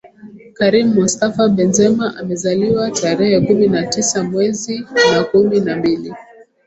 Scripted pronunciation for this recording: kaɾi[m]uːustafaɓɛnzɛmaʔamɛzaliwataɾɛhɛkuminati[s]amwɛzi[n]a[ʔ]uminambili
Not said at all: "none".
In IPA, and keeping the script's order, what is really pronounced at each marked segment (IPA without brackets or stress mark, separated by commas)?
m, s, n, k